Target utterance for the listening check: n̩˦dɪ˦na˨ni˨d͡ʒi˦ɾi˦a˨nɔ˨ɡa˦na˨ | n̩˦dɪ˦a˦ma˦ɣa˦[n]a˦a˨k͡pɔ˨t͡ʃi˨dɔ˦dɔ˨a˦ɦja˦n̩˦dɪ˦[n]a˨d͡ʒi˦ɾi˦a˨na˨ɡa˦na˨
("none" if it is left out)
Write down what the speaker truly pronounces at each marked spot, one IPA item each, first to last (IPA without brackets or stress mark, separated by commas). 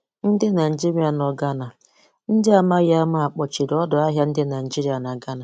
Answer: m, n